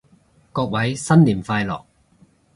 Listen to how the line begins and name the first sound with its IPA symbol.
k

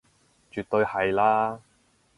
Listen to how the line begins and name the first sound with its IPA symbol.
t͡ʃ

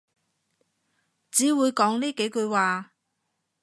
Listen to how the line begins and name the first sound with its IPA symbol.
t͡s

